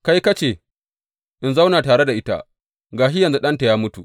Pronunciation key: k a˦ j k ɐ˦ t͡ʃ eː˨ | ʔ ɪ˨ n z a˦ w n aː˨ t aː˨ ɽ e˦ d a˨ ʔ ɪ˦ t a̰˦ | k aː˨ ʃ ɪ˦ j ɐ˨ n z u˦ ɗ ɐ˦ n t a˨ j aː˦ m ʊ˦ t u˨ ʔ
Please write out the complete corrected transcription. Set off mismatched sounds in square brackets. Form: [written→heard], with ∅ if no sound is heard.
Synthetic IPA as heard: k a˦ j k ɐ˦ t͡ʃ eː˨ | ʔ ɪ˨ n z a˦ w n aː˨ t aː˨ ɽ e˦ d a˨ ʔ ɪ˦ t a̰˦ | [k→ɡ] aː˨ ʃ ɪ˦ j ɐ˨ n z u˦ ɗ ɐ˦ n t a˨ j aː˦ m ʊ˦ t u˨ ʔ

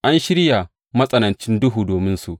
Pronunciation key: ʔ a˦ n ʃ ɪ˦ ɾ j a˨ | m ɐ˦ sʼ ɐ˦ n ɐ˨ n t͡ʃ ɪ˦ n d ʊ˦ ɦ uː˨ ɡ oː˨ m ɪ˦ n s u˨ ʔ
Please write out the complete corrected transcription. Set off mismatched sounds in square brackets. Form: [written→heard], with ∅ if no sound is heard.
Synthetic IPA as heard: ʔ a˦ n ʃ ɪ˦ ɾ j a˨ | m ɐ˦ sʼ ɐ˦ n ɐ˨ n t͡ʃ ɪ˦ n d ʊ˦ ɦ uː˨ [ɡ→d] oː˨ m ɪ˦ n s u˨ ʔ

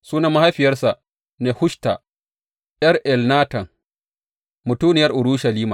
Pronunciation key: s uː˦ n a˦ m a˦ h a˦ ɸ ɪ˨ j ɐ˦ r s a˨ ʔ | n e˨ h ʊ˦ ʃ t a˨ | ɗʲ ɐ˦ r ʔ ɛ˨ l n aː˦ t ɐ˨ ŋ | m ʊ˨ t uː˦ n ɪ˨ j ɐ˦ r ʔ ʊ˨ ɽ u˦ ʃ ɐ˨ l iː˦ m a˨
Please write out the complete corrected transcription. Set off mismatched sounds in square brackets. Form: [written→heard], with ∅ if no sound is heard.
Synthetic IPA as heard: s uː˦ n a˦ m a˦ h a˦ ɸ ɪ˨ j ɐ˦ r s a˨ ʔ | n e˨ h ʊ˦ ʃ t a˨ | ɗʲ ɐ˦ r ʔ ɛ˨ l n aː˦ t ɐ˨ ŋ | m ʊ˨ t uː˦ n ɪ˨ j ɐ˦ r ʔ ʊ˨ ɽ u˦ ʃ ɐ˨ l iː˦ m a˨

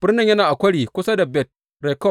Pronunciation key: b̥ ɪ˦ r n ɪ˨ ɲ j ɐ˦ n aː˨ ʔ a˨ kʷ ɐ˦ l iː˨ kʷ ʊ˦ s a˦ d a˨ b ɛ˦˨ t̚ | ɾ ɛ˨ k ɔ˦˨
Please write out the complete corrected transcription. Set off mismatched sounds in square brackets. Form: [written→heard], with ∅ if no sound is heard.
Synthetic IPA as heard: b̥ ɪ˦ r n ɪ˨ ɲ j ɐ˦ n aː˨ ʔ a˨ kʷ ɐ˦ [l→ɽ] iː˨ kʷ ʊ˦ s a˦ d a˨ b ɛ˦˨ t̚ | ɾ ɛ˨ k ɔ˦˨

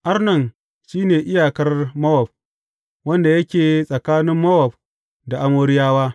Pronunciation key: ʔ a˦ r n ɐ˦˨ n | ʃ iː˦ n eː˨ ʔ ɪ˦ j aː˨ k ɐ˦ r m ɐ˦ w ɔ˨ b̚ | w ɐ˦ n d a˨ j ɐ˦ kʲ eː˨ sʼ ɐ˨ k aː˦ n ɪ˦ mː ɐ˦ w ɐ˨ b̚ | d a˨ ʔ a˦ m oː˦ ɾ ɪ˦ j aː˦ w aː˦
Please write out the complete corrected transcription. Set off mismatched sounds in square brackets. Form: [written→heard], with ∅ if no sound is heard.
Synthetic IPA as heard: ʔ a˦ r n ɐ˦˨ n | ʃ iː˦ n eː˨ ʔ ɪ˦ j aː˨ k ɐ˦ r m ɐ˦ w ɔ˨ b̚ | w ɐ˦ n d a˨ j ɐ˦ kʲ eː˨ sʼ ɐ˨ k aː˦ n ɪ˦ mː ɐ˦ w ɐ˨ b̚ | d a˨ ʔ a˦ m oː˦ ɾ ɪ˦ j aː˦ w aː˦

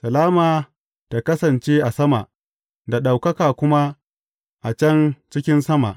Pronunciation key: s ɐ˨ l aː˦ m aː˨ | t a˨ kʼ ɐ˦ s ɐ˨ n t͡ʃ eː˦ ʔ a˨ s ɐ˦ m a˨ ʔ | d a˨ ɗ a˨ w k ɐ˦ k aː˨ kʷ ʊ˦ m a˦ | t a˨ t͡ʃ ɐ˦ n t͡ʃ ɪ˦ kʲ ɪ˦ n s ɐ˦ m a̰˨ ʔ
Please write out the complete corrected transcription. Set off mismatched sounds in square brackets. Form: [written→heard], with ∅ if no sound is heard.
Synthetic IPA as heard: s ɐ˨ l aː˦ m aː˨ | t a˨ [kʼ→k] ɐ˦ s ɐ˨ n t͡ʃ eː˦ ʔ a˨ s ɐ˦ m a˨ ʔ | d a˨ ɗ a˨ w k ɐ˦ k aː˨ kʷ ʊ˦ m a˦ | [t→ʔ] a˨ t͡ʃ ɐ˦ n t͡ʃ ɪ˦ kʲ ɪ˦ n s ɐ˦ m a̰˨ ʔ

